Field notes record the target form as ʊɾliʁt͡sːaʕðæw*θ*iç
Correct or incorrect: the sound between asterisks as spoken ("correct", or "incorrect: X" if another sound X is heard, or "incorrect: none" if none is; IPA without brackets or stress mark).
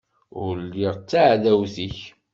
correct